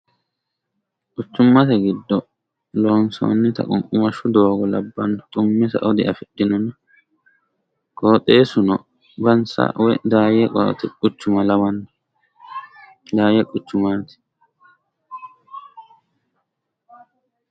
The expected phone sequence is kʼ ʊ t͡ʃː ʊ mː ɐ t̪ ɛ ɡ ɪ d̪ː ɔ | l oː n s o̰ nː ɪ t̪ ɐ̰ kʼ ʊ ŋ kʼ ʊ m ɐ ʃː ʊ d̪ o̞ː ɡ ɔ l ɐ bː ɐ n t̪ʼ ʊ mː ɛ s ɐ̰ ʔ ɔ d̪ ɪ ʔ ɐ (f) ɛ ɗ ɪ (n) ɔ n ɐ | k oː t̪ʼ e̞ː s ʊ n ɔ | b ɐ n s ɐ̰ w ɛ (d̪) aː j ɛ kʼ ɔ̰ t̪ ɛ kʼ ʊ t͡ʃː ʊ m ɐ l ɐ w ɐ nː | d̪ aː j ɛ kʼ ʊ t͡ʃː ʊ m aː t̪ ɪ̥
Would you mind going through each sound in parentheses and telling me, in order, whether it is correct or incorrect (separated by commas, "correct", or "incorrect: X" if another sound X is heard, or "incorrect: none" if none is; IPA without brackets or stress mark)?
correct, correct, correct